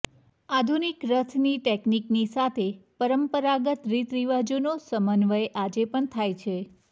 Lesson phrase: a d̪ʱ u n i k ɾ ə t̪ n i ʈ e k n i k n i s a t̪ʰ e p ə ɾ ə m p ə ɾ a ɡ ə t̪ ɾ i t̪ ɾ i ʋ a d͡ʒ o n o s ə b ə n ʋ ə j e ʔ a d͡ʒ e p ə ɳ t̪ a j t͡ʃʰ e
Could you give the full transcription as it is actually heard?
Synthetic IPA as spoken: a d̪ʱ u n i k ɾ ə t̪ʰ n i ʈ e k n i k n i s a t̪ʰ e p ə ɾ ə m p ə ɾ a ɡ ə t̪ ɾ i t̪ ɾ i ʋ a d͡ʒ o n o s ə m ə n ʋ ə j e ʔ a d͡ʒ e p ə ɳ t̪ʰ a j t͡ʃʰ e